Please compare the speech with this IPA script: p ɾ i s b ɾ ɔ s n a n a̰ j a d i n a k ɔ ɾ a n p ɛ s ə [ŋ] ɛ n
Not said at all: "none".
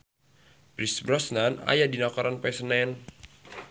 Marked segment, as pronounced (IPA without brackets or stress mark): n